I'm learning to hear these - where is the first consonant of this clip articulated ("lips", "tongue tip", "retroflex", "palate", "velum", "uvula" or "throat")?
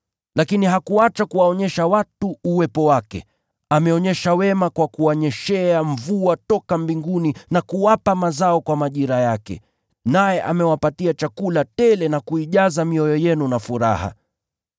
tongue tip